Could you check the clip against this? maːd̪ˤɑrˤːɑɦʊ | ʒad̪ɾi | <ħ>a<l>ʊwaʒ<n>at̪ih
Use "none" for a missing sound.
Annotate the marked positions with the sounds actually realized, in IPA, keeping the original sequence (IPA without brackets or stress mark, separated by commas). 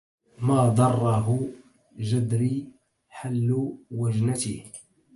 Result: ħ, lː, n